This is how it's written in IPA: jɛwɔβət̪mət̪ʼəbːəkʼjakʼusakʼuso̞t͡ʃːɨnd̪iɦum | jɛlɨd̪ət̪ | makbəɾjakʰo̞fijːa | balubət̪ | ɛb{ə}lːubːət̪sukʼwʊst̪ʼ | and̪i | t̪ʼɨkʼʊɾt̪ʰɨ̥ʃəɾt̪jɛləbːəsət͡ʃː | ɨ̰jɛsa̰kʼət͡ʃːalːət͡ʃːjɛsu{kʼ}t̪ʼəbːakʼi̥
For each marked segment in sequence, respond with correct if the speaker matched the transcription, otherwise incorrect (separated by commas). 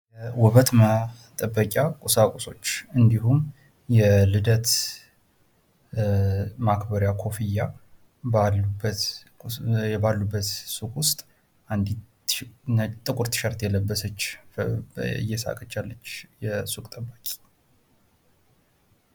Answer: incorrect, correct